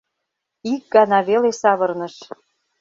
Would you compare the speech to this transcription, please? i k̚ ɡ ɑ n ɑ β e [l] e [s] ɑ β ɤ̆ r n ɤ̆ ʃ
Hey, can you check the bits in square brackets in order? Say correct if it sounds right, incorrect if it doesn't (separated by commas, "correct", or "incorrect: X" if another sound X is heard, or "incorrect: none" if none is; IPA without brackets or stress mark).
correct, correct